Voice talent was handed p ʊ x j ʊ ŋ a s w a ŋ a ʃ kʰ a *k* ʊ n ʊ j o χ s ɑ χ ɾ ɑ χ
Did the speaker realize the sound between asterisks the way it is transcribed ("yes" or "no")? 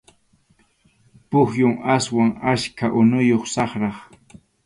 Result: no